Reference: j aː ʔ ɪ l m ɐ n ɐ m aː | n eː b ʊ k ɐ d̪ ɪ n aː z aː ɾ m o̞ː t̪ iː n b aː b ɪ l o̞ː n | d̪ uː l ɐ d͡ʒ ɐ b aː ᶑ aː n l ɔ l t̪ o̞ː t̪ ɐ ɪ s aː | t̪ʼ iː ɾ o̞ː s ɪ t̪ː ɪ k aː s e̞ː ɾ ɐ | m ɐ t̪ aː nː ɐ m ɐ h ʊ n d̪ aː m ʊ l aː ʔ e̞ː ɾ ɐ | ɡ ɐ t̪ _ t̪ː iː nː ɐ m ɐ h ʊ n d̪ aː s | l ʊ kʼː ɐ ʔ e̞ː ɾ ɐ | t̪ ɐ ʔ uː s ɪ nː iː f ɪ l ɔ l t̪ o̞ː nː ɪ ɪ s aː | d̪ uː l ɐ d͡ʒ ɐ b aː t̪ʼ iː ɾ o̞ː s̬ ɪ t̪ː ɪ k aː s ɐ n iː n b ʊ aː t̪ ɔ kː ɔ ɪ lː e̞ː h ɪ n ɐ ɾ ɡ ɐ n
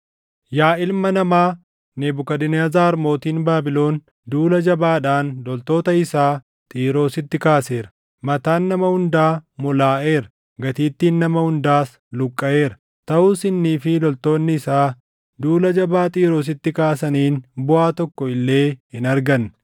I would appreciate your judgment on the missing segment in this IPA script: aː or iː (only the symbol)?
iː